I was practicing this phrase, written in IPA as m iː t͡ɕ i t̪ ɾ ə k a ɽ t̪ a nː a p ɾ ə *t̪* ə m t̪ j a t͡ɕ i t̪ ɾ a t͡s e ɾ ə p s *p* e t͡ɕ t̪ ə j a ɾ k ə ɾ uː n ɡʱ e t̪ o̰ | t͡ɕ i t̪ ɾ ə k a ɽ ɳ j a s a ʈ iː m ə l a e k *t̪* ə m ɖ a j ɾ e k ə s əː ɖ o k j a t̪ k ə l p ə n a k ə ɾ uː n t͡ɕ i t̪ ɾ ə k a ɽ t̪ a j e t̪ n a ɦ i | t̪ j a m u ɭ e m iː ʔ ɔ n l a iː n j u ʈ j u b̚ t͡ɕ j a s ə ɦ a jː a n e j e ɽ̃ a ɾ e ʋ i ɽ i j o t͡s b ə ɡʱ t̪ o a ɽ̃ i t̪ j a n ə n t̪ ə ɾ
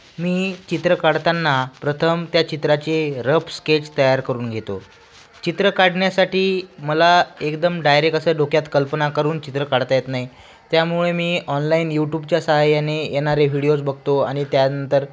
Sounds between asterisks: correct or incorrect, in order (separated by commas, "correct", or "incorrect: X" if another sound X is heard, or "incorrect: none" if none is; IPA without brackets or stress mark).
incorrect: t̪ʰ, incorrect: k, incorrect: d̪